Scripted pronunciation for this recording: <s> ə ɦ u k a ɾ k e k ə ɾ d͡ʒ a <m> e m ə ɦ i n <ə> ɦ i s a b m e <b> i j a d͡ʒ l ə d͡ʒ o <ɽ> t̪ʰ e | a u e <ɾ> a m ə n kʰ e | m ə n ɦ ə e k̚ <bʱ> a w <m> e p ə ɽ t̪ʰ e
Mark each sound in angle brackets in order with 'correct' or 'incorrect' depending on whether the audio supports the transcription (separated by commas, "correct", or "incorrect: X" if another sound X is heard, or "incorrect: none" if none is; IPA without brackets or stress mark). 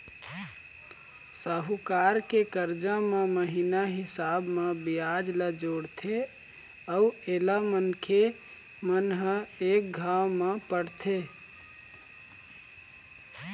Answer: correct, correct, incorrect: a, correct, correct, incorrect: l, incorrect: ɡʱ, correct